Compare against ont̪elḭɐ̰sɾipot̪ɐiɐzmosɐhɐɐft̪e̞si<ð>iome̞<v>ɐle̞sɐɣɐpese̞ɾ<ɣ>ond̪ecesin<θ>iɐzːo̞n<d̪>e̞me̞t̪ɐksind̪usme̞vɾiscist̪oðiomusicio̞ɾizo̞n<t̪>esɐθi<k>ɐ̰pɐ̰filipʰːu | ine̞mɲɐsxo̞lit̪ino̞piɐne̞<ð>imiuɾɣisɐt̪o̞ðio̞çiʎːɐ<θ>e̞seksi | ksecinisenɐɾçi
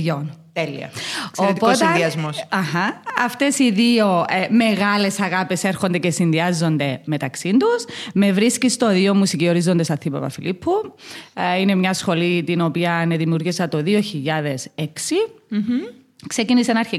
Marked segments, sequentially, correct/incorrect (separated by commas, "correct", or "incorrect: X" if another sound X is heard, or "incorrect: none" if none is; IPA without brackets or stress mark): correct, incorrect: ɣ, incorrect: x, incorrect: ð, correct, incorrect: d̪, incorrect: p, correct, incorrect: ð